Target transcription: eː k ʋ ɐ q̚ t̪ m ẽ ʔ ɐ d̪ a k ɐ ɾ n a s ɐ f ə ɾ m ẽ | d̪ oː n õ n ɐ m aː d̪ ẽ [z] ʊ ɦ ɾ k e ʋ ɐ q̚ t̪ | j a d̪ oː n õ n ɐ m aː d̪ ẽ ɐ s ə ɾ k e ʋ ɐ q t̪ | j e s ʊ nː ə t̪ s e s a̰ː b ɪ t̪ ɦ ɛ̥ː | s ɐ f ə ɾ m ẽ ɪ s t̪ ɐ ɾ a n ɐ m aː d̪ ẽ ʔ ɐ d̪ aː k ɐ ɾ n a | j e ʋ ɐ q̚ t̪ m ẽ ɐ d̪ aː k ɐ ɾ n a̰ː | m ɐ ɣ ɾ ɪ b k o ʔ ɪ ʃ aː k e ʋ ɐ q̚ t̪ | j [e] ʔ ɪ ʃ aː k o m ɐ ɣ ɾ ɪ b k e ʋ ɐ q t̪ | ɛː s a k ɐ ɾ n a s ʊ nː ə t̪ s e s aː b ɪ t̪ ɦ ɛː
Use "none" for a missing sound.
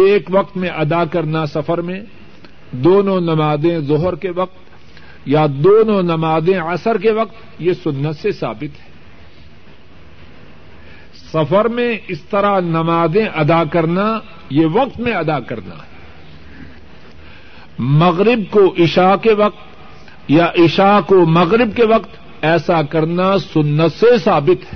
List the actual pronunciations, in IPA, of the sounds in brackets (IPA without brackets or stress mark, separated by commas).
z, a